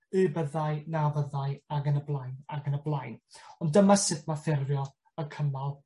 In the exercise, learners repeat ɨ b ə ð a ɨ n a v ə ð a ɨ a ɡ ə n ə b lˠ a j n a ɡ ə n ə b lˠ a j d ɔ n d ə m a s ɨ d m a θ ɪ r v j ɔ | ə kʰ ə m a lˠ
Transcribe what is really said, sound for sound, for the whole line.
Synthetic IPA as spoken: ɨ b ə ð a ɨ n a v ə ð a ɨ a ɡ ə n ə b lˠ a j n a ɡ ə n ə b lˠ a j n ɔ n d ə m a s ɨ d m a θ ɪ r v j ɔ | ə kʰ ə m a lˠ

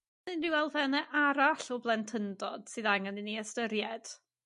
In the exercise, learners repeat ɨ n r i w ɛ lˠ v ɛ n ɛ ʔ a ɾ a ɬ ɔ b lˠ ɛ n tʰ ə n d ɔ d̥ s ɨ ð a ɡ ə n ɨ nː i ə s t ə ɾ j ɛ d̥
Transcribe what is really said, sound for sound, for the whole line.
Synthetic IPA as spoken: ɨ n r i w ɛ lˠ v ɛ n ɛ ʔ a ɾ a ɬ ɔ b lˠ ɛ n tʰ ə n d ɔ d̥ s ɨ ð a ŋ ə n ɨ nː i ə s t ə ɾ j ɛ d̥

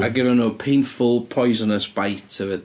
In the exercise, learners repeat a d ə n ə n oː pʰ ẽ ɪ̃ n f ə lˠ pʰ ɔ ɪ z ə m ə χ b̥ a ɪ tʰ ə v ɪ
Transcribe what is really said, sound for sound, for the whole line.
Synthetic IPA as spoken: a ɡ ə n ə n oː pʰ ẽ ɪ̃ n f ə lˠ pʰ ɔ ɪ z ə n ə s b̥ a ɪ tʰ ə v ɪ

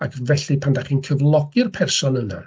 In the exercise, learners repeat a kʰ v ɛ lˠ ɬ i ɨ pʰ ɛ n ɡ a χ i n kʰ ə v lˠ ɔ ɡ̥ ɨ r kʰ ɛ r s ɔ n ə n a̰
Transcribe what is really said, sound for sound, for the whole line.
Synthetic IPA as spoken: a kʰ v ɛ ɬ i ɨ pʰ a n d a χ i n kʰ ə v lˠ ɔ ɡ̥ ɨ r pʰ ɛ r s ɔ n ə n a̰

